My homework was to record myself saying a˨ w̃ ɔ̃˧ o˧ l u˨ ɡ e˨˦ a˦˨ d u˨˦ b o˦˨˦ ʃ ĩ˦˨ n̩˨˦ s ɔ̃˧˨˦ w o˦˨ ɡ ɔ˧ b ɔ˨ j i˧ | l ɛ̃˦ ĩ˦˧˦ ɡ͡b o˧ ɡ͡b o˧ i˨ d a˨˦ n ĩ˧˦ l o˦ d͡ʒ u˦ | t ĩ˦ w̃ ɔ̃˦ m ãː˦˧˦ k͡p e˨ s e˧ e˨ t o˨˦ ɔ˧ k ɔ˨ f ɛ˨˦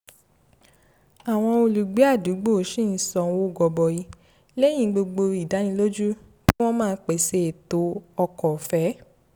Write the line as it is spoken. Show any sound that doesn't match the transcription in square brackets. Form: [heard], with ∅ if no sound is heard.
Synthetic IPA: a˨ w̃ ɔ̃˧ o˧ l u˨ [ɡ͡b] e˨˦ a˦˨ d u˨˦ [ɡ͡b] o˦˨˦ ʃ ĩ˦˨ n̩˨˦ s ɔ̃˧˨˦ w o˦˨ ɡ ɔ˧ b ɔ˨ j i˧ | l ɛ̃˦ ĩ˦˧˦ ɡ͡b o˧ ɡ͡b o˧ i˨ d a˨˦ n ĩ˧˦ l o˦ d͡ʒ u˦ | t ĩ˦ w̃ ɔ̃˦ m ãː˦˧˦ k͡p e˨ s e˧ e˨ t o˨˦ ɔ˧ k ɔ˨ f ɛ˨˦